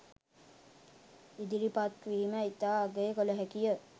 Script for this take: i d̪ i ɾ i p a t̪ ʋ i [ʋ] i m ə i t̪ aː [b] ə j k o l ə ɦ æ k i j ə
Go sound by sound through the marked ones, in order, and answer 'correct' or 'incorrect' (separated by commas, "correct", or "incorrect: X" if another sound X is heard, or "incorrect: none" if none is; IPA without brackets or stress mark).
incorrect: none, incorrect: ɡ